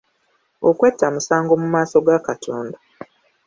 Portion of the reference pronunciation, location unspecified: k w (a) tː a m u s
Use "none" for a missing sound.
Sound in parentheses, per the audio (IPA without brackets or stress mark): e